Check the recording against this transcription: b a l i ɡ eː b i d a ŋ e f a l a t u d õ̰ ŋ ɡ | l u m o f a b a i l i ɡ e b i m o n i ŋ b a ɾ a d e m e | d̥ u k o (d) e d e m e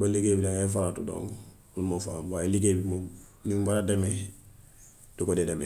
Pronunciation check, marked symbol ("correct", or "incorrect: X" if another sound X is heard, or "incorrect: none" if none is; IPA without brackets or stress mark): correct